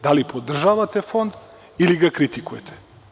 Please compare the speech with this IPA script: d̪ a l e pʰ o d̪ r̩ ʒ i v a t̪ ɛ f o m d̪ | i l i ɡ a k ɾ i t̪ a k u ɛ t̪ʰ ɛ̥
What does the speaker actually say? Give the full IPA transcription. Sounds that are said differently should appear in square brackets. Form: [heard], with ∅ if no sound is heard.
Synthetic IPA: d̪ a l [i] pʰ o d̪ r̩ ʒ [a] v a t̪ ɛ f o [n] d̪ | i l i ɡ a k ɾ i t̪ [i] k u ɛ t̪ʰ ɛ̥